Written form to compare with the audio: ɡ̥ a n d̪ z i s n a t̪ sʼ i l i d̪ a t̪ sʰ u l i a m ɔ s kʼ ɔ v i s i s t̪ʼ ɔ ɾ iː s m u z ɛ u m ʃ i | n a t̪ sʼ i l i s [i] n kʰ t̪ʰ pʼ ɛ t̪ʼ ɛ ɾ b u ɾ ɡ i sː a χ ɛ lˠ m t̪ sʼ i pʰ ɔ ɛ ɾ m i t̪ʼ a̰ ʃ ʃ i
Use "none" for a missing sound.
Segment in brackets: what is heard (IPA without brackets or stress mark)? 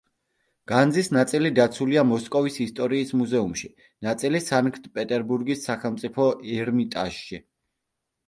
a